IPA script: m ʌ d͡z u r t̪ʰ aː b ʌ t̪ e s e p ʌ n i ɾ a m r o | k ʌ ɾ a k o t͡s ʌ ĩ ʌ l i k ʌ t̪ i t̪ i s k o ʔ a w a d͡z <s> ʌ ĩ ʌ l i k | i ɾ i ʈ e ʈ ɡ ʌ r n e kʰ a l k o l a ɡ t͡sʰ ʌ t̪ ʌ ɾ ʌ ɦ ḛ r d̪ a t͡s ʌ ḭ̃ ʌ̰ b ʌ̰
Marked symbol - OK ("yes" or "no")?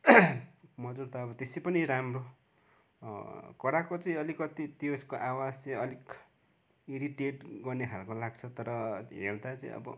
no